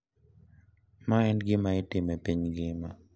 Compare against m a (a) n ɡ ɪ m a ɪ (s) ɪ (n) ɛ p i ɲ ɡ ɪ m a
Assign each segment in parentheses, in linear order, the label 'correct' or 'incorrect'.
incorrect: ɛ, incorrect: t, incorrect: m

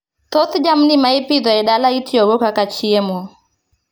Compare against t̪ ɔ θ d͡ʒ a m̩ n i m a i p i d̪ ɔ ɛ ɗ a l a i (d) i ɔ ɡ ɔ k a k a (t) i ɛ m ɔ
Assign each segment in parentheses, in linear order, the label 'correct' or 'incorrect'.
incorrect: t, incorrect: t͡ʃ

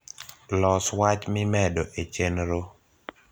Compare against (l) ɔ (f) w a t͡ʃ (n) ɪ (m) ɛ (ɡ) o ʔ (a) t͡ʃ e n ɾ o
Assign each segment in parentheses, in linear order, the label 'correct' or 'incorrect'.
correct, incorrect: s, incorrect: m, correct, incorrect: d, incorrect: e

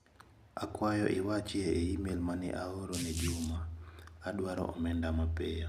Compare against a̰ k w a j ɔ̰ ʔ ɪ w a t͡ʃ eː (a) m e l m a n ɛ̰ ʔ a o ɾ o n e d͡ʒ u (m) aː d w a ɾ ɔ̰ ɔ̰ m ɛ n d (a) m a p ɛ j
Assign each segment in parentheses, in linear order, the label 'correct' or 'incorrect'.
incorrect: i, correct, correct

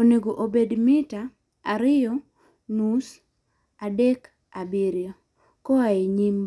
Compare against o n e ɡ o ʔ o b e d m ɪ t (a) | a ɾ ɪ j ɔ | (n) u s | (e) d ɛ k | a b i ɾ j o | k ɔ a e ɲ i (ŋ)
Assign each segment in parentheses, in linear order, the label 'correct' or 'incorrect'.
correct, correct, incorrect: a, incorrect: m

